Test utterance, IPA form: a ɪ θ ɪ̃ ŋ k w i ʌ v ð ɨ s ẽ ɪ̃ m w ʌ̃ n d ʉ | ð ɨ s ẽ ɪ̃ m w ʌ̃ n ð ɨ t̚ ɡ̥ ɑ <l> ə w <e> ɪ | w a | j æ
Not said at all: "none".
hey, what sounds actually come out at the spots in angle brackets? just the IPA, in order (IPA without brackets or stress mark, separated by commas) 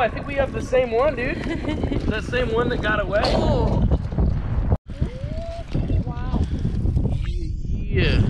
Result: ɾ, e